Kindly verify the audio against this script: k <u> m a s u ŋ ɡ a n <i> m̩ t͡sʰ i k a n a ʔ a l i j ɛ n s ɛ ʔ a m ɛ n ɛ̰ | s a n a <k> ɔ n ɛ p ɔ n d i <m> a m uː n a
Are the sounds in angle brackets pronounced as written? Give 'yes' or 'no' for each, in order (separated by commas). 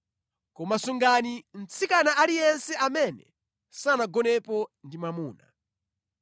no, yes, no, yes